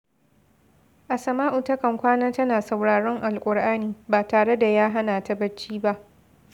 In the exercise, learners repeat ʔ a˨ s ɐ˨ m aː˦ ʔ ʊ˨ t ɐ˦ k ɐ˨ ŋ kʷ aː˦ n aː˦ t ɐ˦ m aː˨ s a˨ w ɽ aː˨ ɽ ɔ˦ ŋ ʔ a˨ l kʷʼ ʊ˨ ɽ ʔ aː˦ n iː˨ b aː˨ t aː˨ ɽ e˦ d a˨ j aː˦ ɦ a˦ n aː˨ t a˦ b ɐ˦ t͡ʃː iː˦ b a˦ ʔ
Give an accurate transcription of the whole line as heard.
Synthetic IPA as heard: ʔ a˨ s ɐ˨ m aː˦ ʔ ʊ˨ t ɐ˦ k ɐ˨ ŋ kʷ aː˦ n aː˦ t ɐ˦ n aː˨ s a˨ w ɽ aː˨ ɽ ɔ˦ ŋ ʔ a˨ l kʷʼ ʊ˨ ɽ ʔ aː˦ n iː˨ b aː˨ t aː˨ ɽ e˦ d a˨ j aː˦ ɦ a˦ n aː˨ t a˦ b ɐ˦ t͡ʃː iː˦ b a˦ ʔ

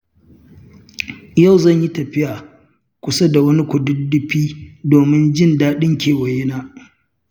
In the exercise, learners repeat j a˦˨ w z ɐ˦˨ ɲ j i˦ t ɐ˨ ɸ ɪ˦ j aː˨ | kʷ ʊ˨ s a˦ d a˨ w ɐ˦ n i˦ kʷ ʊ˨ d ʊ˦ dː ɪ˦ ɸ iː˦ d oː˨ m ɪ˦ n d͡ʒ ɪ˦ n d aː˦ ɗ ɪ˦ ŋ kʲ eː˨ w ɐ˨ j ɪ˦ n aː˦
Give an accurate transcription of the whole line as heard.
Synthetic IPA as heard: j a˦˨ w z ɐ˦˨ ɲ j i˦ t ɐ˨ ɸ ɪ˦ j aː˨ | kʷ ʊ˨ s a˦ d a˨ w ɐ˦ n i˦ kʷ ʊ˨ d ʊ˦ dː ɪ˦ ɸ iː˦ d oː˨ m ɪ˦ n d͡ʒ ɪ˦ n d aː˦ ɗ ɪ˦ ŋ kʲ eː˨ w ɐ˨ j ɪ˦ n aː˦

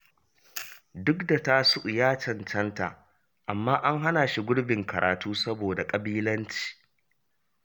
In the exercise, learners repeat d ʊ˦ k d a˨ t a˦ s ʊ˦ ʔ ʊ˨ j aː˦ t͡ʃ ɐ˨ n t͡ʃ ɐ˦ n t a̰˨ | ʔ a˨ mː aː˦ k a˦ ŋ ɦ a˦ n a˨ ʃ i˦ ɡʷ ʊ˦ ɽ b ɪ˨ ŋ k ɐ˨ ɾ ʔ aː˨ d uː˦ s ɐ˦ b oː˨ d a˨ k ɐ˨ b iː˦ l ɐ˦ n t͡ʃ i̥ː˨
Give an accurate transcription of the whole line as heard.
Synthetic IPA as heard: d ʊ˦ k d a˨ t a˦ s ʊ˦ ʔ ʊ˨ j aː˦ t͡ʃ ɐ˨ n t͡ʃ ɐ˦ n t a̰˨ | ʔ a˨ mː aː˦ ʔ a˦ ŋ ɦ a˦ n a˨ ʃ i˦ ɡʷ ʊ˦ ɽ b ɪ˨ ŋ k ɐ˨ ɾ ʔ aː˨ t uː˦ s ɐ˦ b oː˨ d a˨ kʼ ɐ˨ b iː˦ l ɐ˦ n t͡ʃ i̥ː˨

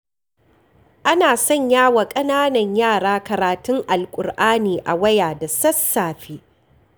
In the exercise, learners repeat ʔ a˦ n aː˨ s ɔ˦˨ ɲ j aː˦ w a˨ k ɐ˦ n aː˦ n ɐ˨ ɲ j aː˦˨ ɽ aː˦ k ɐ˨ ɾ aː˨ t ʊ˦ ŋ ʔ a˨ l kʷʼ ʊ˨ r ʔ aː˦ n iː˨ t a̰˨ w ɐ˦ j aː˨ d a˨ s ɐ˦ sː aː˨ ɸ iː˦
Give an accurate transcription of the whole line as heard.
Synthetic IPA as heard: ʔ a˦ n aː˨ s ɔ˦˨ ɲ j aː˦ w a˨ kʼ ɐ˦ n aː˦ n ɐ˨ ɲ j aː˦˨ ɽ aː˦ k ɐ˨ ɾ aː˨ t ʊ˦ ŋ ʔ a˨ l kʷʼ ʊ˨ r ʔ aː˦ n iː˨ ʔ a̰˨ w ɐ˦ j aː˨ d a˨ s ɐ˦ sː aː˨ ɸ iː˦

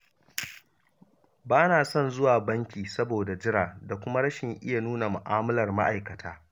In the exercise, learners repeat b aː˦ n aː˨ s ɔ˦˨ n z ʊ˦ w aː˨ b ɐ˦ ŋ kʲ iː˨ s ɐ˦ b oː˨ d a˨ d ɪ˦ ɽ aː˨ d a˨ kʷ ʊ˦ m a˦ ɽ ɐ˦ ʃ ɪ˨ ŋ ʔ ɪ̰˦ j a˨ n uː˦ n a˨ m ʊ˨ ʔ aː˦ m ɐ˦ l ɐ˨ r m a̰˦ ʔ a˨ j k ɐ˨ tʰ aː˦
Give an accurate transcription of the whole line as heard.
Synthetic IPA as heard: b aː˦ n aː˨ s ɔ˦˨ n z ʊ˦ w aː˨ b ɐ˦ ŋ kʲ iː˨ s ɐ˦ b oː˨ d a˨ d͡ʒ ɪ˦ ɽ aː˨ d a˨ kʷ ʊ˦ m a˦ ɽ ɐ˦ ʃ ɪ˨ ŋ ʔ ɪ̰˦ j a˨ n uː˦ n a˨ m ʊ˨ ʔ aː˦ m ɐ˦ l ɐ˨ r m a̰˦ ʔ a˨ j k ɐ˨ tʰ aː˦

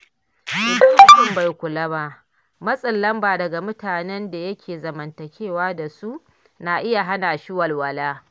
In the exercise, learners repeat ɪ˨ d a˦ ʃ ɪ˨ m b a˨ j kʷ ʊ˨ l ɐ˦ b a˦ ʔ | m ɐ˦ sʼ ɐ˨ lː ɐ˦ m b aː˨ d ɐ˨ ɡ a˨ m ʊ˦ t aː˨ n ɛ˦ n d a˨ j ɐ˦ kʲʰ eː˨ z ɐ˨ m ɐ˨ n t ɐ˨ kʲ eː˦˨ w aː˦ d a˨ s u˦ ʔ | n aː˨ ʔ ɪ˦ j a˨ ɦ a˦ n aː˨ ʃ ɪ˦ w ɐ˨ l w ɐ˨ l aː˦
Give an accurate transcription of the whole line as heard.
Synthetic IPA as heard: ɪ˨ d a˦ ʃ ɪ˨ m b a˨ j kʷ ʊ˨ l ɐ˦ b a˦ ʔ | m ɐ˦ sʼ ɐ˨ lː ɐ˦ m b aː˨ d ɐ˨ ɡ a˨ m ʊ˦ t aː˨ n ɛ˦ n d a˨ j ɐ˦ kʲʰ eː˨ z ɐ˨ m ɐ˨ n t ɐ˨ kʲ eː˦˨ w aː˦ d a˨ s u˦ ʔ | n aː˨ ʔ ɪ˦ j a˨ ɦ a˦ n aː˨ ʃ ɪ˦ w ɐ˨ l w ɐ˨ l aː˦

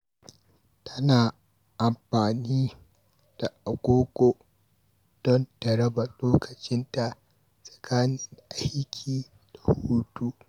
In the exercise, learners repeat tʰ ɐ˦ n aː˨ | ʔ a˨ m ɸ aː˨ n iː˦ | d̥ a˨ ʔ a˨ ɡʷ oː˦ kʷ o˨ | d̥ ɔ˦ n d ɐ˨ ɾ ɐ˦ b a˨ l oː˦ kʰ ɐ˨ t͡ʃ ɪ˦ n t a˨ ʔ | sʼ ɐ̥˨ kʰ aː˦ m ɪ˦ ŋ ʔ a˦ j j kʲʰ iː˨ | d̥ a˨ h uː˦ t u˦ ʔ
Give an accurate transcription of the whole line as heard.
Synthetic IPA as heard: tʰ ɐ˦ n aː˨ | ʔ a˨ m ɸ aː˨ n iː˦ | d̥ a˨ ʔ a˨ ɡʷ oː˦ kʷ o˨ | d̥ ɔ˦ n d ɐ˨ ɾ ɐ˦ b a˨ l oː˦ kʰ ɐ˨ t͡ʃ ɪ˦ n t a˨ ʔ | sʼ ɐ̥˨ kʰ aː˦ n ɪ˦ ŋ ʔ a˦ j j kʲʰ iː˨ | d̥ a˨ h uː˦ t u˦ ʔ

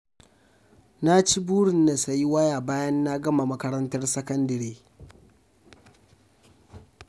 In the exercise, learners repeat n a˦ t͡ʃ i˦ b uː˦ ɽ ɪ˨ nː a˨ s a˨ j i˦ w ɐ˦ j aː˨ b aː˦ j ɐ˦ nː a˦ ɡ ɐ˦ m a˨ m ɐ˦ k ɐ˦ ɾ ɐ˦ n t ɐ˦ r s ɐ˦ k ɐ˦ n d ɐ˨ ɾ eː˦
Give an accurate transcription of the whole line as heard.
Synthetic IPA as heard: n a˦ t͡ʃ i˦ b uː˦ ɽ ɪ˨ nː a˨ s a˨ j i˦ w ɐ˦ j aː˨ b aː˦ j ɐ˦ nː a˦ ɡ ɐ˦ m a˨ m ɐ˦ k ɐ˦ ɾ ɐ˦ n t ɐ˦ r s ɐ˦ k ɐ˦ n d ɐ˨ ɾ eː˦

